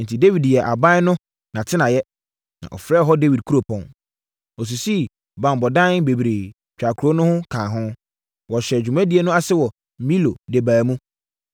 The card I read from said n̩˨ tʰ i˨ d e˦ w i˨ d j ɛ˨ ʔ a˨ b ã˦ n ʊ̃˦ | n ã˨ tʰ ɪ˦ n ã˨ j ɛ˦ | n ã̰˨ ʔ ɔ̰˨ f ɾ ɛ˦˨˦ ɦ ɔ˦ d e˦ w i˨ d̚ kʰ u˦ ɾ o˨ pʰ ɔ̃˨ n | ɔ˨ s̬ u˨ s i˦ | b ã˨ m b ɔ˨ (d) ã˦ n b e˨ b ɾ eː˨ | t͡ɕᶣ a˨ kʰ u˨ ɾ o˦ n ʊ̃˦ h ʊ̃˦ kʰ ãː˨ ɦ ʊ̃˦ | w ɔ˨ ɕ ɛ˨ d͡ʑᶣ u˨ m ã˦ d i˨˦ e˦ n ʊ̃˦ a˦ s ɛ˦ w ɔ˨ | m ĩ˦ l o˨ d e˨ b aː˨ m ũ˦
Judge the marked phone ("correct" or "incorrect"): correct